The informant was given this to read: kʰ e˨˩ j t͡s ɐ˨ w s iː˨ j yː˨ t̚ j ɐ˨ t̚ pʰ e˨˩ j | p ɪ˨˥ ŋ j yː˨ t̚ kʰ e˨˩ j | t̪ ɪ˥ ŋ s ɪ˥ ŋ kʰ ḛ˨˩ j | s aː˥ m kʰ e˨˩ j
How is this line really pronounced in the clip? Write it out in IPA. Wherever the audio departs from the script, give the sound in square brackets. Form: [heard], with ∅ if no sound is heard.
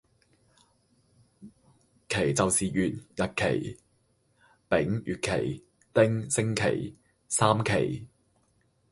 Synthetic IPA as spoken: kʰ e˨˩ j t͡s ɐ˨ w s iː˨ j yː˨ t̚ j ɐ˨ t̚ [kʰ] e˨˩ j | p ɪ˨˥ ŋ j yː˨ t̚ kʰ e˨˩ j | t̪ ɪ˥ ŋ s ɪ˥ ŋ kʰ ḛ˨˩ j | s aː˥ m kʰ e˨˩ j